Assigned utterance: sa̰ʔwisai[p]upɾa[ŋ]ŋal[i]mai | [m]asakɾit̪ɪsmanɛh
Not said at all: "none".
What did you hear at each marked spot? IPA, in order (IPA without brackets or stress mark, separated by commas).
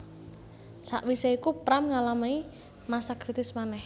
k, m, a, m